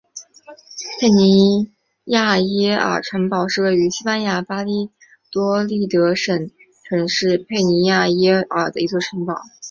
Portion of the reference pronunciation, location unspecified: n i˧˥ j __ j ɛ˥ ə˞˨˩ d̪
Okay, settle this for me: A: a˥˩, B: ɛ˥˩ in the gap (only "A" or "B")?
A